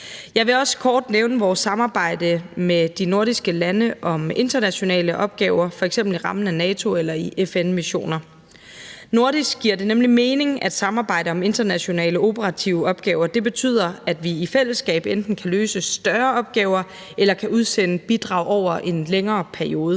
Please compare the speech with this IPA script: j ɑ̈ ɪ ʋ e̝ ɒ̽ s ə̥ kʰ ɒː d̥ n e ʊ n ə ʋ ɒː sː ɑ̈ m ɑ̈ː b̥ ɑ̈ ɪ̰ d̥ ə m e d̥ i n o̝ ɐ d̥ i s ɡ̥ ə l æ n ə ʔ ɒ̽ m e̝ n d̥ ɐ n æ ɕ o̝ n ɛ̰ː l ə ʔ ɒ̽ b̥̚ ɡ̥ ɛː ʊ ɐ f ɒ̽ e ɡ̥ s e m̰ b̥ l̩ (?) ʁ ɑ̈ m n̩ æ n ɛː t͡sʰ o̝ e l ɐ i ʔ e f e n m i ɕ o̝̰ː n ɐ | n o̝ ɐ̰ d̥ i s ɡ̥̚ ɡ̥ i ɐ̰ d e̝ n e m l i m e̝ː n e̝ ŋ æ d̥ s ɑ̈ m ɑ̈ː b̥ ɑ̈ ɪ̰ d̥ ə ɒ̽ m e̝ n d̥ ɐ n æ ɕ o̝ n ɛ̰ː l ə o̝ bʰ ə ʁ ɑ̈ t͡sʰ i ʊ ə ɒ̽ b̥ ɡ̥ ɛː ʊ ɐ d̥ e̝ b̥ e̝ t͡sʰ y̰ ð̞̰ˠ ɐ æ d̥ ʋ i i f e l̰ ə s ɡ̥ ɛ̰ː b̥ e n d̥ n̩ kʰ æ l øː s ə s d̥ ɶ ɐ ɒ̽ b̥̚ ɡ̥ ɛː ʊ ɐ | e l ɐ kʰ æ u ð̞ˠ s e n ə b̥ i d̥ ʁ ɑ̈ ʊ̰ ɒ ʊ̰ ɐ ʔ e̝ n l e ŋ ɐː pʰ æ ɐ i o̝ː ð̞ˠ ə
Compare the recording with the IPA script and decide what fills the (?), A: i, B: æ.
A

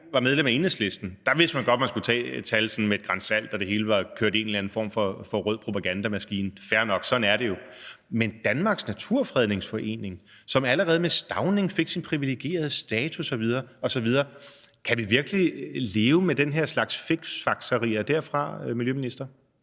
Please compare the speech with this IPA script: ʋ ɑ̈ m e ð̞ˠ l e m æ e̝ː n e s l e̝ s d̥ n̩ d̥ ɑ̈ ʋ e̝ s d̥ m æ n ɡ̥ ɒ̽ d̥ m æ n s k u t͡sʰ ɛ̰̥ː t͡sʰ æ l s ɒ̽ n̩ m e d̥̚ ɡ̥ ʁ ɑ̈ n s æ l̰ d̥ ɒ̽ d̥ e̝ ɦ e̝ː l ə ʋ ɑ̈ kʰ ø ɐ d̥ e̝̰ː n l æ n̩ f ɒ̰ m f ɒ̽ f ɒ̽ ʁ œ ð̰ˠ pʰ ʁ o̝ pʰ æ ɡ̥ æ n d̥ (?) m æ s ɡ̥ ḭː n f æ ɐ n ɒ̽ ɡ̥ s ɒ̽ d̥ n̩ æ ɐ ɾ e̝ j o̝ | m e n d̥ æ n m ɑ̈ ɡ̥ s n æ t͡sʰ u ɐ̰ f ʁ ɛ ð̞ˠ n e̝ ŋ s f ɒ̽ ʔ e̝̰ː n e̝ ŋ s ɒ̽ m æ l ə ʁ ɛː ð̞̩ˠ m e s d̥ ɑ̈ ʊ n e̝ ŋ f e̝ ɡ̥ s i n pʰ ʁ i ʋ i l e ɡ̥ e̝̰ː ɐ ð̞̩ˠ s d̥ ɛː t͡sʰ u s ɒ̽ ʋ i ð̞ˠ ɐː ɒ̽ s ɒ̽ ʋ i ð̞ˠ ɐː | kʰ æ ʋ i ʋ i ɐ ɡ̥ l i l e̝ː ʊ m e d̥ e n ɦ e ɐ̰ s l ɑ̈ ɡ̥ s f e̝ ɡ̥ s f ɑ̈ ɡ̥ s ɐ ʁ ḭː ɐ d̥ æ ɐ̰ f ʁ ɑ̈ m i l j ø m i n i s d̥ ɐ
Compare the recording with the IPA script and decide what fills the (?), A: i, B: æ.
B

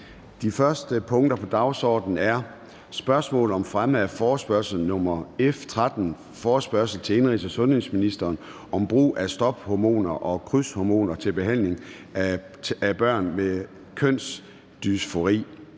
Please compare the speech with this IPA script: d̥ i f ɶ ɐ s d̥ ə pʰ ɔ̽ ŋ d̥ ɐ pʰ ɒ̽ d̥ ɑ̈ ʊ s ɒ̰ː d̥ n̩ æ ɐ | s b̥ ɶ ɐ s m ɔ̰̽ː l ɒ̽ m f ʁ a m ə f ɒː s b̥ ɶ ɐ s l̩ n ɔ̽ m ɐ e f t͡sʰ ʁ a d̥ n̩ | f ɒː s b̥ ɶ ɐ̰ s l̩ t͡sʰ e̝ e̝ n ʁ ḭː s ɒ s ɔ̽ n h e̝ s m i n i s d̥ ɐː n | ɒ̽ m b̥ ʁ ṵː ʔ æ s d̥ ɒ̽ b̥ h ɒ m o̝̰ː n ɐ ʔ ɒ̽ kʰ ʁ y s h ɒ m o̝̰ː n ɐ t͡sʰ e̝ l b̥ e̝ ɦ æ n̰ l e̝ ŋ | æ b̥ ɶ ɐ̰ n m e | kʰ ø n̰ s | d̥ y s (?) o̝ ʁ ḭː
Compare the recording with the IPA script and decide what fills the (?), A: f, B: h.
A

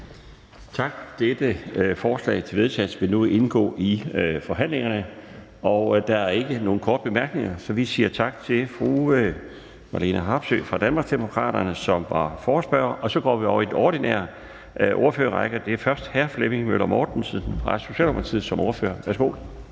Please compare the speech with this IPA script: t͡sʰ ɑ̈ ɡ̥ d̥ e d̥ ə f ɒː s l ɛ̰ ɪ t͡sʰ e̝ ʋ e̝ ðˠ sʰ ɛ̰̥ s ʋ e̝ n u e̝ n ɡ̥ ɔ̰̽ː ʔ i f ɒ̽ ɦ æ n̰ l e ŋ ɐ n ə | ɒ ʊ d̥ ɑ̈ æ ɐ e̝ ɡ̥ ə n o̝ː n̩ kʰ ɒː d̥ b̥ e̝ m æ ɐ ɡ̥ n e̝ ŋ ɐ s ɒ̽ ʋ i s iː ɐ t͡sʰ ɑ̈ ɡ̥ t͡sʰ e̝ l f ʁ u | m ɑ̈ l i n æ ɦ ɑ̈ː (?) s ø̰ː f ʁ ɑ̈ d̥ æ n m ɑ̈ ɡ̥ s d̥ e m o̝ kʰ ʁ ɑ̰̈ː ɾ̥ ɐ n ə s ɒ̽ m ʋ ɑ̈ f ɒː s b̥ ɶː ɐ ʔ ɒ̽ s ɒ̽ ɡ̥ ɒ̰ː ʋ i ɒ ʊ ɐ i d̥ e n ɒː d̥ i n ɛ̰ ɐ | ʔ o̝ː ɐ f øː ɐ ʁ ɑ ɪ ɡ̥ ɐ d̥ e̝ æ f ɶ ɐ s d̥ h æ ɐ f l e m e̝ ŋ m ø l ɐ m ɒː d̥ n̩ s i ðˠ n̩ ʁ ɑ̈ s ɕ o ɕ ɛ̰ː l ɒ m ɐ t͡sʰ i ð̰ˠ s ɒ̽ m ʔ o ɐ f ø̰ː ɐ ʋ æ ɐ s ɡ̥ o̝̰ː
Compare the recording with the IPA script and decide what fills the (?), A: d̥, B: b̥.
B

